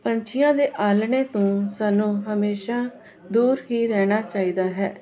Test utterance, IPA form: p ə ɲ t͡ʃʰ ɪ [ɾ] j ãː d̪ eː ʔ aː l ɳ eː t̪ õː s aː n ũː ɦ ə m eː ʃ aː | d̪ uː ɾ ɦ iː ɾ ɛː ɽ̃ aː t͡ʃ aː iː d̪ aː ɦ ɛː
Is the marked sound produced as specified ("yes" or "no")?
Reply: no